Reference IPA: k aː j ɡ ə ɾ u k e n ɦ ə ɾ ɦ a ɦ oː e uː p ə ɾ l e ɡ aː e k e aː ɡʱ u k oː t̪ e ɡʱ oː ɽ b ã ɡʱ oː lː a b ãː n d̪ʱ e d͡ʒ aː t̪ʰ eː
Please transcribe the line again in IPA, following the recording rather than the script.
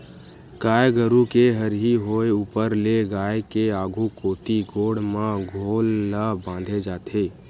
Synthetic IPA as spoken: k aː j ɡ ə ɾ u k e ɦ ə ɾ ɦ i ɦ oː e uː p ə ɾ l e ɡ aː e k e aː ɡʱ u k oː t̪ i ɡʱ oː ɽ m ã ɡʱ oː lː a b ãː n d̪ʱ e d͡ʒ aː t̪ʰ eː